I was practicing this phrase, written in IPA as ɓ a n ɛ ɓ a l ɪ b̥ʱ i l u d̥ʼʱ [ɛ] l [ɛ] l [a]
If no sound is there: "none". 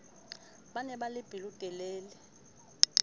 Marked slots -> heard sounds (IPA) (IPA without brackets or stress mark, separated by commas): ɛ, ɛː, ɛ